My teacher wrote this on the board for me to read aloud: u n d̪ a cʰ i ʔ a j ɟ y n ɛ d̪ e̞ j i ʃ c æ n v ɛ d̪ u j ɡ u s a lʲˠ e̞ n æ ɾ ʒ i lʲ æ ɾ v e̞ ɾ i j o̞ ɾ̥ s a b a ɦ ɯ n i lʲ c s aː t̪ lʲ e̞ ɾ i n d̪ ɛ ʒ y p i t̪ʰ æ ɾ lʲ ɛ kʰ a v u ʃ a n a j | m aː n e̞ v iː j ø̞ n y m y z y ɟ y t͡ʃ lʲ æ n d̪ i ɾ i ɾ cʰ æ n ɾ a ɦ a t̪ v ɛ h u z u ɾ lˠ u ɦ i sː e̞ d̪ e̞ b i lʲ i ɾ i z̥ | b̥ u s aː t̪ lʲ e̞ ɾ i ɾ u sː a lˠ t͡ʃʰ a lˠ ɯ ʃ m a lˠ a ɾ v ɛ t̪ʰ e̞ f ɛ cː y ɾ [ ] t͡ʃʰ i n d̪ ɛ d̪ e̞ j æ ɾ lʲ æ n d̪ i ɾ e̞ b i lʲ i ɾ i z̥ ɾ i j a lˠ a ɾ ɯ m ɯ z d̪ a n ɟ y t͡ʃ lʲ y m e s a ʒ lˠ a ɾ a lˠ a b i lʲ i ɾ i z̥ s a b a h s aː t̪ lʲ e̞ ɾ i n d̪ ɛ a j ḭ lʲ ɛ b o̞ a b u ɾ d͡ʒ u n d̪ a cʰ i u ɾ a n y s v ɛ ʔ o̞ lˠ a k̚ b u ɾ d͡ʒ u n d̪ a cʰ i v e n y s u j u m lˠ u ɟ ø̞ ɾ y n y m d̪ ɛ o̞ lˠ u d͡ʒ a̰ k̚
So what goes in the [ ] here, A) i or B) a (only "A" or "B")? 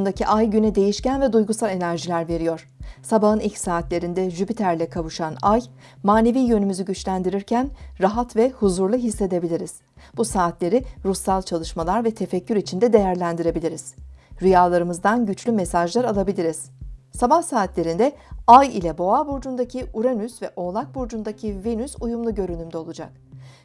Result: A